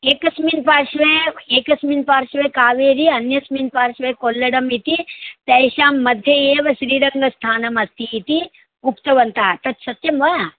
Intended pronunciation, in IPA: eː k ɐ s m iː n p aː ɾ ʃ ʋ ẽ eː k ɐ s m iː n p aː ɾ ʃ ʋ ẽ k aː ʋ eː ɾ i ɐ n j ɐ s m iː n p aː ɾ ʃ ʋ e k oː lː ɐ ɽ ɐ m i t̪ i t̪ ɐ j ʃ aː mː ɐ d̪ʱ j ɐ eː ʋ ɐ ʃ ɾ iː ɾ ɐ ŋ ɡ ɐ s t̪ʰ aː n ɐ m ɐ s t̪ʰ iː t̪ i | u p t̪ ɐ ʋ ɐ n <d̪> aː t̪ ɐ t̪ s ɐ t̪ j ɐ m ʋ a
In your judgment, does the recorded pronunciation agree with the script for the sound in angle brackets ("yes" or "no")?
no